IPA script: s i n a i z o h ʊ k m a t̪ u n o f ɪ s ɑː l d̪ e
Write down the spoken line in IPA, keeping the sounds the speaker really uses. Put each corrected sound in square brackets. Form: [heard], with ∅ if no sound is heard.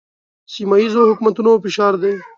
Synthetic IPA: s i [m] a i z o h ʊ k m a t̪ u n o f ɪ [ʃ] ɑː [ɾ] d̪ e